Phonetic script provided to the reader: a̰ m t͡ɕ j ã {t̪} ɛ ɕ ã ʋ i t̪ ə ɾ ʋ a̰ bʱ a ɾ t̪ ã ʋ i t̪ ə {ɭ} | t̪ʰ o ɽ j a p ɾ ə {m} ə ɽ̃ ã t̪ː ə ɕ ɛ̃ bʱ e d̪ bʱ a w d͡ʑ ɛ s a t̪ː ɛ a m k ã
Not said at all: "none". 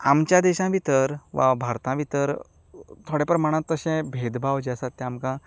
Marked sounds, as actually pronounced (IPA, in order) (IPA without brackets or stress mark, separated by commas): d̪, ɾ, m